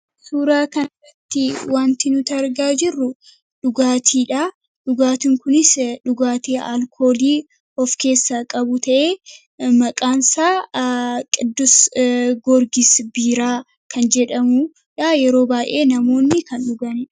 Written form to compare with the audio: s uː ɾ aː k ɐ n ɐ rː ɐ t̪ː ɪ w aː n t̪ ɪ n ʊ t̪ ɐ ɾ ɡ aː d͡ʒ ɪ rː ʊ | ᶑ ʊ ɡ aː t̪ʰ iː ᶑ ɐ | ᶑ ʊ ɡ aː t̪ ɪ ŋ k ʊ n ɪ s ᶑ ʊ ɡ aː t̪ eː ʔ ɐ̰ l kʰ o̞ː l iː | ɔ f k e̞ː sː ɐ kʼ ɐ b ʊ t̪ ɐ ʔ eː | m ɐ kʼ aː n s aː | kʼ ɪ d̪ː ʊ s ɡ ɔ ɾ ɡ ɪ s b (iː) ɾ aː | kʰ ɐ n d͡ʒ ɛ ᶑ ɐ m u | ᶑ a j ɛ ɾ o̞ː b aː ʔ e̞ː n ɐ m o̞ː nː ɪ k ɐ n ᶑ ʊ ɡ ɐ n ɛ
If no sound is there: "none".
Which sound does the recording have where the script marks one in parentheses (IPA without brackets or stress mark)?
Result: iː